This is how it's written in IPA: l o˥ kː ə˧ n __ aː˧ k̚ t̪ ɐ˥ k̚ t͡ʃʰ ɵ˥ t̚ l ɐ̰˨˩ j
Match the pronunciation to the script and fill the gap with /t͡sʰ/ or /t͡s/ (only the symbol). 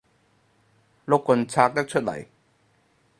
t͡sʰ